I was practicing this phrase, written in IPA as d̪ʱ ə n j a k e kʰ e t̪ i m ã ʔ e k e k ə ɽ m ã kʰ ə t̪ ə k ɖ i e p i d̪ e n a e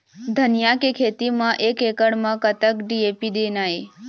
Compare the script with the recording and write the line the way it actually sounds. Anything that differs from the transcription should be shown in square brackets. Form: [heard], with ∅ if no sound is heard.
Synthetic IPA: d̪ʱ ə n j a k e kʰ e t̪ i m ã ʔ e k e k ə ɽ m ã [k] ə t̪ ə k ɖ i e p i d̪ e n a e